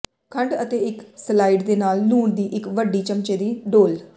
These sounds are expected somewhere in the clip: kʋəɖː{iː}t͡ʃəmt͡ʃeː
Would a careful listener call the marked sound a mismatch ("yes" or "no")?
no